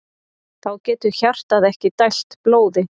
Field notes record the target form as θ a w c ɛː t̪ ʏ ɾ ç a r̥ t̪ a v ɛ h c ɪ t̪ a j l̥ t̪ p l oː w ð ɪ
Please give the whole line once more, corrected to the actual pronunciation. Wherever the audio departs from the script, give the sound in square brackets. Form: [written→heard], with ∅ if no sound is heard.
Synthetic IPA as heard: θ a w c ɛː t̪ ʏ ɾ ç a r̥ t̪ a [v→ð] ɛ h c ɪ t̪ a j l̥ t̪ p l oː w ð ɪ